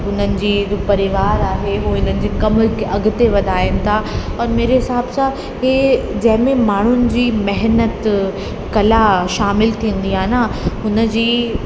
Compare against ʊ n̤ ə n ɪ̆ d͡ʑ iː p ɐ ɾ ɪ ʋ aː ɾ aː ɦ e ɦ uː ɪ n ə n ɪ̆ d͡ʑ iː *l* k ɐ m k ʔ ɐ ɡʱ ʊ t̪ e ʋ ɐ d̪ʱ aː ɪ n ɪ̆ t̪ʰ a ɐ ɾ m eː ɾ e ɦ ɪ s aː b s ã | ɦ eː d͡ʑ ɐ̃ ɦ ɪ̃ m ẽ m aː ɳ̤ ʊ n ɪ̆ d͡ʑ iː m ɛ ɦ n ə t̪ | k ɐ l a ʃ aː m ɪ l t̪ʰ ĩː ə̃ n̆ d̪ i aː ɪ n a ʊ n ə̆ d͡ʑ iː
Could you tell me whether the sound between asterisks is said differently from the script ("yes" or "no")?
yes